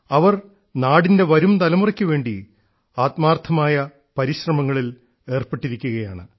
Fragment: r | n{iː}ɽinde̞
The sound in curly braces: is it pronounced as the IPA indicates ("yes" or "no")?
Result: no